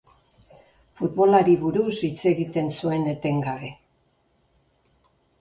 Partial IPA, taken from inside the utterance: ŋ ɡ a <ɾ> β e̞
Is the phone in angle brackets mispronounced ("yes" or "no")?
yes